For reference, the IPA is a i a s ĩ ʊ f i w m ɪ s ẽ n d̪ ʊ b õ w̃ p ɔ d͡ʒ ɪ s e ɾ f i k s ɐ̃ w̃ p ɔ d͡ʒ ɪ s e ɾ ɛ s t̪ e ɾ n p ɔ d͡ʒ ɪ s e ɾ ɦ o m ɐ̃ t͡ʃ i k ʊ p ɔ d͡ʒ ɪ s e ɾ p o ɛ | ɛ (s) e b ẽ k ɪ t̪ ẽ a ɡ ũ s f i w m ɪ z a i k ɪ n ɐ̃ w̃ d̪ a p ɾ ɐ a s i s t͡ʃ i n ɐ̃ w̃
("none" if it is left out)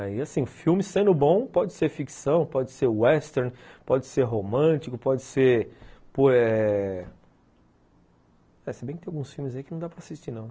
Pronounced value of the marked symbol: s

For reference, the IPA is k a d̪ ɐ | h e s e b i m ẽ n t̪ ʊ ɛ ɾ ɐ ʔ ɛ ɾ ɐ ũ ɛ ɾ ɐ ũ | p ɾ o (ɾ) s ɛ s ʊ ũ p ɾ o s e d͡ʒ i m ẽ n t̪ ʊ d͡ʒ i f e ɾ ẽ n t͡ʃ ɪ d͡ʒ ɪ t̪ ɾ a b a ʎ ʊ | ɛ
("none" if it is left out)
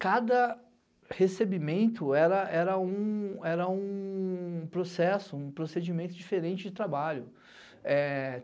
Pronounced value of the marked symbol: none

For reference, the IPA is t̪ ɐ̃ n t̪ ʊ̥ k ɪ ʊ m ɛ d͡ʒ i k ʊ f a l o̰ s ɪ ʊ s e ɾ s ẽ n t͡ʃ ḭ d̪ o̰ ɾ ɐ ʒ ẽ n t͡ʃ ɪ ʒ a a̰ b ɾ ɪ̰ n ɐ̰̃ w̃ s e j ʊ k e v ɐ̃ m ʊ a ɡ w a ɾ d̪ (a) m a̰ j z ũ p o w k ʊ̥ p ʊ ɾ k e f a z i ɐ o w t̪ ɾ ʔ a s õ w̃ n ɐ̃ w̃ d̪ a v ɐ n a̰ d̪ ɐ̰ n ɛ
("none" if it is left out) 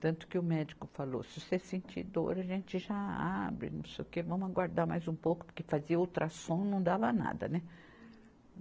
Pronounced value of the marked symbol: a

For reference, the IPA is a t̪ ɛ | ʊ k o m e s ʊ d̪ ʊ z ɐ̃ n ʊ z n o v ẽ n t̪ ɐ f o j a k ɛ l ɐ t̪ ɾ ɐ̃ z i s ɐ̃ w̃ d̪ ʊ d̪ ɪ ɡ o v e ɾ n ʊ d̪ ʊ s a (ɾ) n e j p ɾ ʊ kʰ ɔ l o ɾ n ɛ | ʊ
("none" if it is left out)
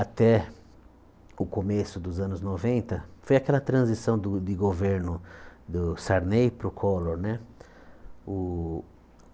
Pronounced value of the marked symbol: ɾ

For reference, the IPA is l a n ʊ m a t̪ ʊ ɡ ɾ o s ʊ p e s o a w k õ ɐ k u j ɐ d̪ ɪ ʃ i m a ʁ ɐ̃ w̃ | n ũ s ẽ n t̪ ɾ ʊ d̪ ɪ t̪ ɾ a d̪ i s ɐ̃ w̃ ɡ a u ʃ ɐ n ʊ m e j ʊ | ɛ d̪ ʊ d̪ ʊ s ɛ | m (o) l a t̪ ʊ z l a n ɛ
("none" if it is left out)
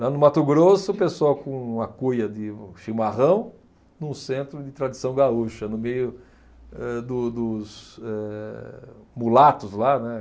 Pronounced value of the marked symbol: u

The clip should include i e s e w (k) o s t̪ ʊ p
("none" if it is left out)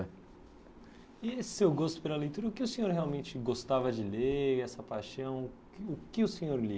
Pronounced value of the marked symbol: ɡ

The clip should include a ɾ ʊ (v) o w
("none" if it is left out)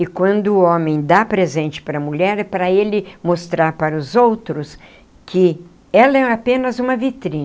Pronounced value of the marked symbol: z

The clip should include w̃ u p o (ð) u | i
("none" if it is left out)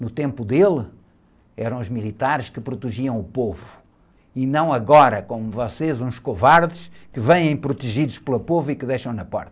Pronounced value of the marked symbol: v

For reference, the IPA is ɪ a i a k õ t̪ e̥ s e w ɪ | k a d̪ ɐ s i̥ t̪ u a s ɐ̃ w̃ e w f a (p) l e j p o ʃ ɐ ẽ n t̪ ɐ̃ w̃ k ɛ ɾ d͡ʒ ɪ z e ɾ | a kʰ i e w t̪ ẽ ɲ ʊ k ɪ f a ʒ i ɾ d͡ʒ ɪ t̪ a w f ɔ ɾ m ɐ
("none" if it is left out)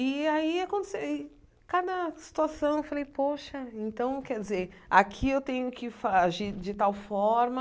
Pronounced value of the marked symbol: none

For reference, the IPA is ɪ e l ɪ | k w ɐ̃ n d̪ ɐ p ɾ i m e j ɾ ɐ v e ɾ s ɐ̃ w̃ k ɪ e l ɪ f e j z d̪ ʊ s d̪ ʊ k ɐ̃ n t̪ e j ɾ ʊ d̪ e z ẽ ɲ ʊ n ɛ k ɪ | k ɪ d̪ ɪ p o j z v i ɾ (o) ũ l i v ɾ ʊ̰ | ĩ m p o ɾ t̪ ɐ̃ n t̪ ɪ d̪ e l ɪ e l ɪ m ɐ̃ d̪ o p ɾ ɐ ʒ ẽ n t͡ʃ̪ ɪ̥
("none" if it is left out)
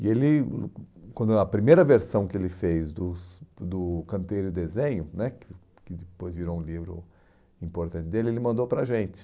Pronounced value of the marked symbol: o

